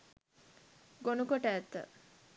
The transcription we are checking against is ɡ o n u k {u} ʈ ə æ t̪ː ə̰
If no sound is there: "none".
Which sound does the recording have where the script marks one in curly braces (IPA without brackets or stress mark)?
o